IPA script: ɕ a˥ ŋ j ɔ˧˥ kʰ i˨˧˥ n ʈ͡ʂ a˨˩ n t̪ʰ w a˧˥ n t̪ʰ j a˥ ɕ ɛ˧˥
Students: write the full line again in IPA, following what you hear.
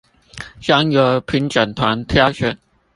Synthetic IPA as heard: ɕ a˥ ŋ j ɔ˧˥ pʰ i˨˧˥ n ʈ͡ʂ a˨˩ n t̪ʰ w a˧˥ n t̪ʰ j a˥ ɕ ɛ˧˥